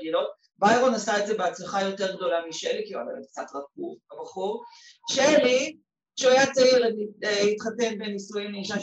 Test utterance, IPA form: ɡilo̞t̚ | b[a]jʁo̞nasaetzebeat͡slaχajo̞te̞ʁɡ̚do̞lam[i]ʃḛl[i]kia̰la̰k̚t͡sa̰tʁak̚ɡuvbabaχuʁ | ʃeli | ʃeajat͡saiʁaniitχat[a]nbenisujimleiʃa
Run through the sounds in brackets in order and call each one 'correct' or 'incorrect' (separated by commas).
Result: correct, correct, correct, incorrect